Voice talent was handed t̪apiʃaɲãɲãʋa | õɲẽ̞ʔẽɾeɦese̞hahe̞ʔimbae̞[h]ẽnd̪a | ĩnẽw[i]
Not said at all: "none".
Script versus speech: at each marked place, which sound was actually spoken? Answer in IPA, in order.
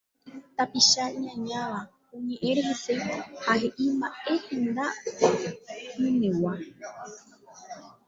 h, a

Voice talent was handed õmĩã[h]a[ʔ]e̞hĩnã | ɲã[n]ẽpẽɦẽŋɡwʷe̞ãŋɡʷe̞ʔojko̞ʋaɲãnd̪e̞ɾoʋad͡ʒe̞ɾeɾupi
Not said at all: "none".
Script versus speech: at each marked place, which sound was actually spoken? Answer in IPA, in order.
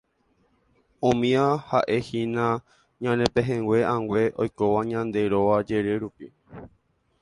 h, ʔ, n

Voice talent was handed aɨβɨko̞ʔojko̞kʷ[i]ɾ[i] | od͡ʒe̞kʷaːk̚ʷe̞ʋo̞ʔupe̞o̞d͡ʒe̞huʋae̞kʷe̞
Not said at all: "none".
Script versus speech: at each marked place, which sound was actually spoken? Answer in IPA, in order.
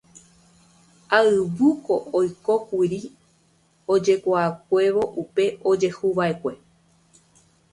i, i

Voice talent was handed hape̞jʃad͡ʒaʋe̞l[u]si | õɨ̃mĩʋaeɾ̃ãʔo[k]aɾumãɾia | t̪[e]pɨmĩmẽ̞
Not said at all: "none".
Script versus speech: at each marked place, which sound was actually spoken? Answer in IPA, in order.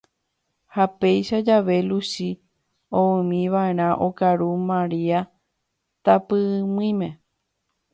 u, k, a

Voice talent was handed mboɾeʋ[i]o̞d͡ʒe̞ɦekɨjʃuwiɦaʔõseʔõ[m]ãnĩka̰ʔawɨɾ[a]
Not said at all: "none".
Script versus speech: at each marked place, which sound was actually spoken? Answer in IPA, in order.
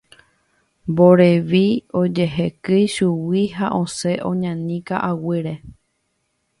i, ɲ, e

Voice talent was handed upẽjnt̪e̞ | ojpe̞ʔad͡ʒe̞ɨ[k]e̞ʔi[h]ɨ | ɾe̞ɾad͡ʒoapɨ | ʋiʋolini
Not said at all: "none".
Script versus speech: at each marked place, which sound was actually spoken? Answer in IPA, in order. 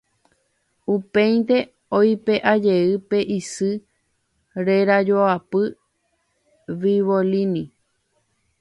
p, s

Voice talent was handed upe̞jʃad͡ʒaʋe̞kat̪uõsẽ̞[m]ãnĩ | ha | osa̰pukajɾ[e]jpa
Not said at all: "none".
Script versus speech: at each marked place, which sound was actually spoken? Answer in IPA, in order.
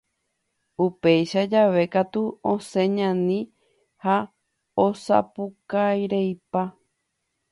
ɲ, e

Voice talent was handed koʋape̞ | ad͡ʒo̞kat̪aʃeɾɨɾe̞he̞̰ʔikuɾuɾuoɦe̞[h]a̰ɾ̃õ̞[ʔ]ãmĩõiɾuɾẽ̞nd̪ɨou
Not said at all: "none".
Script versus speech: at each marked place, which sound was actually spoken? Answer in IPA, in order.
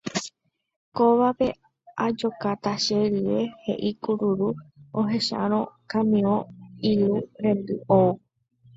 ʃ, k

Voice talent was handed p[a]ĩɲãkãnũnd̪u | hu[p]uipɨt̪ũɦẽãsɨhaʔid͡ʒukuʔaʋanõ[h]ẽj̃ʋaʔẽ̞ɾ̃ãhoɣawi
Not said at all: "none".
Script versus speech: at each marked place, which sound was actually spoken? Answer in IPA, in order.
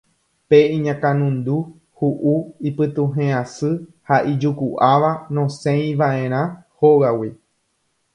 e, ʔ, s

